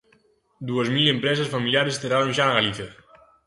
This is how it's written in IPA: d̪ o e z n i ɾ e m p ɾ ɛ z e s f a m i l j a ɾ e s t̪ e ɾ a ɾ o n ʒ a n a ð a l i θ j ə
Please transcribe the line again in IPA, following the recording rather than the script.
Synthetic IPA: d̪ u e z m i l e m p ɾ ɛ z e s f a m i l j a ɾ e s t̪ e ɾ a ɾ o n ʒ a n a ɣ a l i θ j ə